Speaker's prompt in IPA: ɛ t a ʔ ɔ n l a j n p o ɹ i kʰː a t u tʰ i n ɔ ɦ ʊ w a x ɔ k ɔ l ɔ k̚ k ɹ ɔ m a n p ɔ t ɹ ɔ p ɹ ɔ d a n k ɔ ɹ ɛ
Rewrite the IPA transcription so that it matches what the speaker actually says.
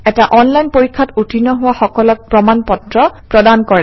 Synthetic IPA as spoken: ɛ t a ʔ ɔ n l a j n p o ɹ i kʰː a t u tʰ i n ɔ ɦ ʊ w a x ɔ k ɔ l ɔ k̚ p ɹ ɔ m a n p ɔ t ɹ ɔ p ɹ ɔ d a n k ɔ ɹ ɛ